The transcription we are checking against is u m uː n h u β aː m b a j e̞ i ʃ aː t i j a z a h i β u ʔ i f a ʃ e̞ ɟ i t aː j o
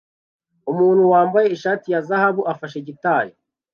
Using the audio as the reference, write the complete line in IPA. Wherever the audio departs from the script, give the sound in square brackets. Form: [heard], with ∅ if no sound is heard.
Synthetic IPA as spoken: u m uː n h u [w] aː m b a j e̞ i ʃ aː t i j a z a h [a] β u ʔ [a] f a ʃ e̞ ɟ i t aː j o